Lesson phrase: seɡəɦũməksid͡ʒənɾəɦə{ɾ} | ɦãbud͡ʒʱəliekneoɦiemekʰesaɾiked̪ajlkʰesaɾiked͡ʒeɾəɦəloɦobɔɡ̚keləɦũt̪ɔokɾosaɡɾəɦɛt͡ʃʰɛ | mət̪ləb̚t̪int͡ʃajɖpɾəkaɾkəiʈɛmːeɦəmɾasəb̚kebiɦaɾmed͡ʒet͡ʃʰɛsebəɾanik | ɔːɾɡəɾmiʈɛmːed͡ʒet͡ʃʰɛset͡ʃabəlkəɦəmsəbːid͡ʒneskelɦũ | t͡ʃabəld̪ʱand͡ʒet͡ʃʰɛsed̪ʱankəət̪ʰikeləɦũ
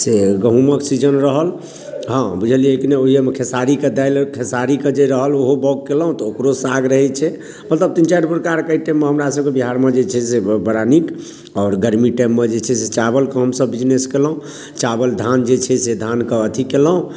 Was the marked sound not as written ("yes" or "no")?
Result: yes